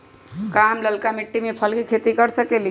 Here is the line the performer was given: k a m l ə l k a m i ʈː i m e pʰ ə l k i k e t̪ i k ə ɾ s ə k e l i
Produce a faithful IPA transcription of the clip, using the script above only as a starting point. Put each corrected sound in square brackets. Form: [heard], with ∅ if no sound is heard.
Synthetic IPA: k a m l ə l k a m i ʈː i m e pʰ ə l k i [kʰ] e t̪ i k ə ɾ s ə k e l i